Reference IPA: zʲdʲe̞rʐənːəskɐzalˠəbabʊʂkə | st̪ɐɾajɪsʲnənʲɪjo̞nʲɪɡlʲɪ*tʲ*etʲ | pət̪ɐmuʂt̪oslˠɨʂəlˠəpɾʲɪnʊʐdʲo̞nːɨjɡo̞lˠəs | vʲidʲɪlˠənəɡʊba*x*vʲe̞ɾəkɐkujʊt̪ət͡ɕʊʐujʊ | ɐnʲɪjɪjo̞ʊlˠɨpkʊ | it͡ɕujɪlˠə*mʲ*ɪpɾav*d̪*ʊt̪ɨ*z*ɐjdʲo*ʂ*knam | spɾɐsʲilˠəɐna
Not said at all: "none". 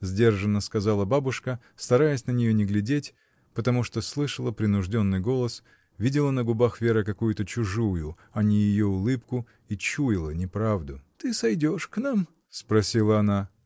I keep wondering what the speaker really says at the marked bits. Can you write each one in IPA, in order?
dʲ, x, nʲ, d̪, s, ʂ

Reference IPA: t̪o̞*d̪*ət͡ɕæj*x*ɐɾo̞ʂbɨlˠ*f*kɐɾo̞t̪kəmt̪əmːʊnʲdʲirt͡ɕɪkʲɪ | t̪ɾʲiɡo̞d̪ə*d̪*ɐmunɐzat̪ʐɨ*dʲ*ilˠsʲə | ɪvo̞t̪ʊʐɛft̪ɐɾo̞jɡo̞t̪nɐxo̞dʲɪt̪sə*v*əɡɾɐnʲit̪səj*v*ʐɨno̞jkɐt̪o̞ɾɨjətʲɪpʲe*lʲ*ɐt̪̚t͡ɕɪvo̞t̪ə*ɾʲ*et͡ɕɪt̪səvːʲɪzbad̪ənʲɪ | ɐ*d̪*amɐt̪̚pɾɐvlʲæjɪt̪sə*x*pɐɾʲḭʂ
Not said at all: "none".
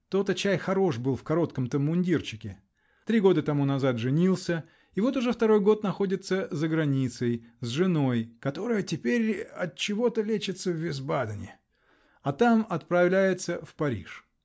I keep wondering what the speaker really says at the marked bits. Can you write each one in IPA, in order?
t̪, x, f, t̪, nʲ, z, z, ɾʲ, lʲ, t̪, f

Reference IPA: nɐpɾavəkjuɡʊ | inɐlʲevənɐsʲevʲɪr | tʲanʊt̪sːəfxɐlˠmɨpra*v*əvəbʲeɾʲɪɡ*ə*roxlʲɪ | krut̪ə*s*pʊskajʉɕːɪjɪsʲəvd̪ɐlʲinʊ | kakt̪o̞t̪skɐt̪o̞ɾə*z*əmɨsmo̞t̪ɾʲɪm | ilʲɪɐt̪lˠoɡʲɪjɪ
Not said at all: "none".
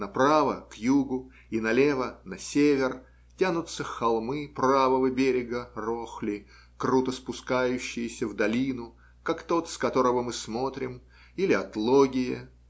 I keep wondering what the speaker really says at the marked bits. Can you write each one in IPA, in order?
v, ə, s, v

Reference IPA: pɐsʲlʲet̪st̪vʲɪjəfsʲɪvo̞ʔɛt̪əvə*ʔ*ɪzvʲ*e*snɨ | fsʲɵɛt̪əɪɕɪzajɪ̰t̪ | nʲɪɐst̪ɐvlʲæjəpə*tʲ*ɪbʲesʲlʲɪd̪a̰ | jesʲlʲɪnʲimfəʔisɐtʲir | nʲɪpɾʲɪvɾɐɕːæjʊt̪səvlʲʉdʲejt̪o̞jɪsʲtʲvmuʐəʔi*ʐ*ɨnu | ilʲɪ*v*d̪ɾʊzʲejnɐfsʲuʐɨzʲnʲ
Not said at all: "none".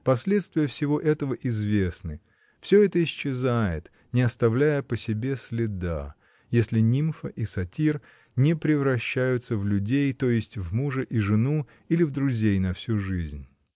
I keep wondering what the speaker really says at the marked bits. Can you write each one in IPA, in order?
ʔ, e, sʲ, ʐ, v

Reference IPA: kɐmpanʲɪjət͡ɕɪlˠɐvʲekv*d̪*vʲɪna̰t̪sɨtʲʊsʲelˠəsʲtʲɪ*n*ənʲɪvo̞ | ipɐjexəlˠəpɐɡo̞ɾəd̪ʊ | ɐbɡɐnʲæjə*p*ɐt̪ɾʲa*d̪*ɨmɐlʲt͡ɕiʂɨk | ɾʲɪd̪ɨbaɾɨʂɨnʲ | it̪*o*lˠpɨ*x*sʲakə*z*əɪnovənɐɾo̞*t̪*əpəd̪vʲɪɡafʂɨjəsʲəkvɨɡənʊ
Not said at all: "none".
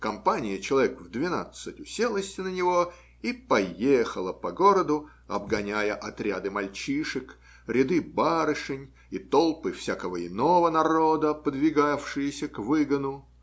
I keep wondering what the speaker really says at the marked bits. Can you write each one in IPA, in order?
d̪, n, ʔ, d̪, o, f, v, d̪

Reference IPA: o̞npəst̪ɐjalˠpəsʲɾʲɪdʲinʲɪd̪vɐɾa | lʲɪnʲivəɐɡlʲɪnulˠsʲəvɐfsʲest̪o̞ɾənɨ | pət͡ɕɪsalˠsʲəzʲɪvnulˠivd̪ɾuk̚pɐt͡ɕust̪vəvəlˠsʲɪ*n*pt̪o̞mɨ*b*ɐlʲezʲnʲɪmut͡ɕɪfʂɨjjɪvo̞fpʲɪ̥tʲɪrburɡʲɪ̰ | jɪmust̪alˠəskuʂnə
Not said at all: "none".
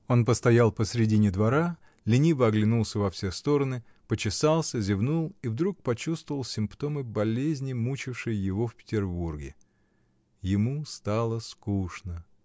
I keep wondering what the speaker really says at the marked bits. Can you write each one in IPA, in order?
m, b

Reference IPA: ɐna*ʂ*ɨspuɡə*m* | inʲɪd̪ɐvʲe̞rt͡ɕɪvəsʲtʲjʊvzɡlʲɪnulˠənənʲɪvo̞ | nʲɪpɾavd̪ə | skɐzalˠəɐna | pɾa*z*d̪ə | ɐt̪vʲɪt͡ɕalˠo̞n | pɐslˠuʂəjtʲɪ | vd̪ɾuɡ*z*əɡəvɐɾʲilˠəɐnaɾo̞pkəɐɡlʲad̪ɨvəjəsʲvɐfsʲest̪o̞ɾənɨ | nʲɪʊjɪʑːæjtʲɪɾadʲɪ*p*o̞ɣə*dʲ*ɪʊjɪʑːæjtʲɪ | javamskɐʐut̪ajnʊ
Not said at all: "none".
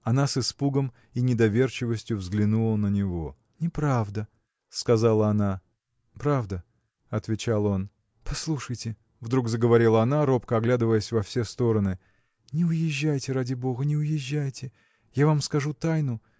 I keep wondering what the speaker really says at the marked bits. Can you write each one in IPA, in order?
s, m, v, z, b, nʲ

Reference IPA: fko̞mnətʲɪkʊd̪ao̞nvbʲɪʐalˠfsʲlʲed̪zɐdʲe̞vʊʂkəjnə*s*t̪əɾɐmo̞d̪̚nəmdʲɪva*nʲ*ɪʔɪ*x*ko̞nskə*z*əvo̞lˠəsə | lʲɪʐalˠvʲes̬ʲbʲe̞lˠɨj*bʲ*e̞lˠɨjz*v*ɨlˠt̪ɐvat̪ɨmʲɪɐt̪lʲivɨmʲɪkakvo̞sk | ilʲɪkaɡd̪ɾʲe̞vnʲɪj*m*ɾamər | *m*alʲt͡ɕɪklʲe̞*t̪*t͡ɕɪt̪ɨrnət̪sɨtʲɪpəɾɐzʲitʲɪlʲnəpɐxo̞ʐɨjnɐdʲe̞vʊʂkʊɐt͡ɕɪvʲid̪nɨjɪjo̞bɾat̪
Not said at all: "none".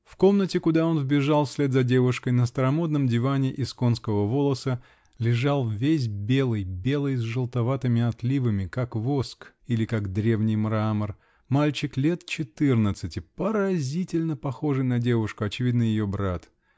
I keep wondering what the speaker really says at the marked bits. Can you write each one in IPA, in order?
s, nʲ, s, v, bʲ, ʐ, m, m, t̪

